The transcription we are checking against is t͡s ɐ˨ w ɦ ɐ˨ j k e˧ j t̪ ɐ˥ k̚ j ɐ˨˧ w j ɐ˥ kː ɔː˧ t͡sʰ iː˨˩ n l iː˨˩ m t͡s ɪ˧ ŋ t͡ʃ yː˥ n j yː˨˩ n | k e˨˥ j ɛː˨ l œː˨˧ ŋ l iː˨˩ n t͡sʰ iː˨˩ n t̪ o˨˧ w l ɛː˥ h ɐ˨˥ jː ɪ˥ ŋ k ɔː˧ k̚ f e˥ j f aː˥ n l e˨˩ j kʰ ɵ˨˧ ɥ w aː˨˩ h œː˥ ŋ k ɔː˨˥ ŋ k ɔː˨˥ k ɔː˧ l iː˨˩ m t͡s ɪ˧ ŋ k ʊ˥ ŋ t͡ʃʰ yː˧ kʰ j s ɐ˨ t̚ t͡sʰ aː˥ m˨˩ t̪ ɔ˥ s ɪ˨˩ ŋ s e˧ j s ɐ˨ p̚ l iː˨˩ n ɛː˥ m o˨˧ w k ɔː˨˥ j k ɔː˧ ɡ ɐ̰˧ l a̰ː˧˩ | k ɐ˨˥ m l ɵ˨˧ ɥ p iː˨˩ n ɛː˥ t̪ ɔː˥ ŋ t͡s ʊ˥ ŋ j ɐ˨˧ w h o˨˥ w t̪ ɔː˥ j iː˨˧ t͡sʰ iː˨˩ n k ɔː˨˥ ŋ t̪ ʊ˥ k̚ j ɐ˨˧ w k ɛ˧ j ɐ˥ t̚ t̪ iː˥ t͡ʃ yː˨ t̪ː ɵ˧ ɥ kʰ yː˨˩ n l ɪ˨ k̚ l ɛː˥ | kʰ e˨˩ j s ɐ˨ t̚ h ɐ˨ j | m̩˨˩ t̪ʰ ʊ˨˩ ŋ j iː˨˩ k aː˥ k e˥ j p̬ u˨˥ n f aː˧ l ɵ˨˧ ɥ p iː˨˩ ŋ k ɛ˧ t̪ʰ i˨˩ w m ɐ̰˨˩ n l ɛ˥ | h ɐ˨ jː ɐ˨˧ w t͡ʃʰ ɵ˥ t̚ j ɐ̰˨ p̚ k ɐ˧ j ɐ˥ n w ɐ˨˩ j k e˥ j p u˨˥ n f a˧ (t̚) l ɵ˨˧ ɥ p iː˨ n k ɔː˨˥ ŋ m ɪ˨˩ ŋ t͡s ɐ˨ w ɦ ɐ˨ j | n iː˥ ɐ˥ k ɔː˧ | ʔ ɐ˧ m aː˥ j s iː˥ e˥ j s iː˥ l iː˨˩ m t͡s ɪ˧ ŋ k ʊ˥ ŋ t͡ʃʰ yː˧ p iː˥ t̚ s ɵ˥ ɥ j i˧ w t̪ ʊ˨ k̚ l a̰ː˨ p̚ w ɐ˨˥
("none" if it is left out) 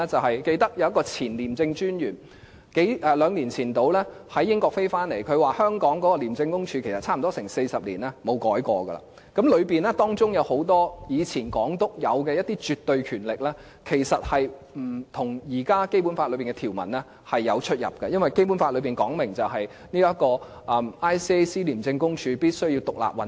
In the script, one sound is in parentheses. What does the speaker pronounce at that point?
t̚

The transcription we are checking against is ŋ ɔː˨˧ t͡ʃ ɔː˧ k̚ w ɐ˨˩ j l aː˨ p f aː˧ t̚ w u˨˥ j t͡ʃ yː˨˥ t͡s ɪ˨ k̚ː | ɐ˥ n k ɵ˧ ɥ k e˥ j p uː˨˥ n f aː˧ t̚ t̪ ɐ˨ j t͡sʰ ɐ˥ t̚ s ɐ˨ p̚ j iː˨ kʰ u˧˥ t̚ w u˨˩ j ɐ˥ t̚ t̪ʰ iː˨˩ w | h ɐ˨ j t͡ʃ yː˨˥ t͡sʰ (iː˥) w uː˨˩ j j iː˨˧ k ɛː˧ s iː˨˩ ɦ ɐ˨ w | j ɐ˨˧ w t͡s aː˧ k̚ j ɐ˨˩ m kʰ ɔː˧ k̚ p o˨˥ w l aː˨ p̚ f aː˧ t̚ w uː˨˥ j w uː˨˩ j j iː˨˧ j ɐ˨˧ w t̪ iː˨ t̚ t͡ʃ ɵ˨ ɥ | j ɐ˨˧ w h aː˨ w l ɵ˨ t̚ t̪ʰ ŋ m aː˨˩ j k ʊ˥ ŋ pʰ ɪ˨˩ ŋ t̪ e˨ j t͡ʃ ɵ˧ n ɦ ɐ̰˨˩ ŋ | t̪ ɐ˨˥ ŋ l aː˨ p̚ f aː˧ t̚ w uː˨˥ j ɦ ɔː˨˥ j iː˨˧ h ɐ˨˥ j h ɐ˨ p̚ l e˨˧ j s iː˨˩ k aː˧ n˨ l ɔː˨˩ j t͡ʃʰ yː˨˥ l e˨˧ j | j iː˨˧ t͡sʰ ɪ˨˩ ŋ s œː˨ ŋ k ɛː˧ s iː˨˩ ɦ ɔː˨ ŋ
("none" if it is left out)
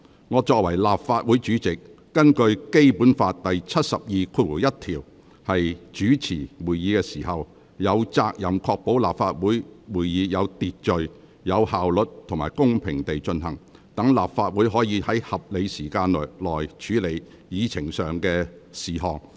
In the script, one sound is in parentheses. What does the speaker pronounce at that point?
iː˨˩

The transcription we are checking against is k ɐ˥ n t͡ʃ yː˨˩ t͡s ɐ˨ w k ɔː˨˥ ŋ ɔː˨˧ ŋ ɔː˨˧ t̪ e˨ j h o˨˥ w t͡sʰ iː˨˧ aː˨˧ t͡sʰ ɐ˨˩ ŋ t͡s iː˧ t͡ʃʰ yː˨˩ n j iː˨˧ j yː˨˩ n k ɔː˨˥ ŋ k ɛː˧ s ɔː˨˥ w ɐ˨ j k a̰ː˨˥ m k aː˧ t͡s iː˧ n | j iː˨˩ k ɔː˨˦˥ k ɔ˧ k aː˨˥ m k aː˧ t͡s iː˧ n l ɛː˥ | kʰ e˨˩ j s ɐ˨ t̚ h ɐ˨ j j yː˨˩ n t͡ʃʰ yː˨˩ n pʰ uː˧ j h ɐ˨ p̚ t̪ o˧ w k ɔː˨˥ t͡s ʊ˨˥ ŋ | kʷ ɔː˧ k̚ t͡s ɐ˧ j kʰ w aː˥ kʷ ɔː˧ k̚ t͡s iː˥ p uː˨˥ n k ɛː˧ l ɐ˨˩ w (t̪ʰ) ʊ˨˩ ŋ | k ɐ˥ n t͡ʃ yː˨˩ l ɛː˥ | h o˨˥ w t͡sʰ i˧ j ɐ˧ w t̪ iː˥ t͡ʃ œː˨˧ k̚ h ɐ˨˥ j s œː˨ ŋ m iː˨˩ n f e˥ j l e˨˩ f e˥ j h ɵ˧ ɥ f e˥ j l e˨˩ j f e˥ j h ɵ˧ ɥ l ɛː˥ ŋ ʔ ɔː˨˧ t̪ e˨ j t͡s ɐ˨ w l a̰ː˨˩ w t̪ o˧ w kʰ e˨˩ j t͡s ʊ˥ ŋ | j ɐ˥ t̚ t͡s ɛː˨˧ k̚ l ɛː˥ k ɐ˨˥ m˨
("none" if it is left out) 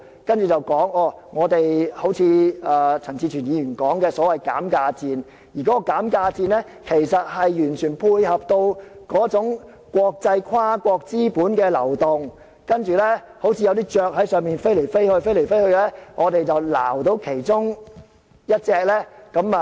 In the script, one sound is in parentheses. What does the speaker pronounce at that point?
t̪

